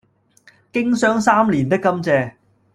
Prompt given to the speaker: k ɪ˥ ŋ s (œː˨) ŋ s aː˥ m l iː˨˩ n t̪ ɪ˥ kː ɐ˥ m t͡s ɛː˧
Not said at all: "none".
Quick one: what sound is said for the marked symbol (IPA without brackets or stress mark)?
œː˥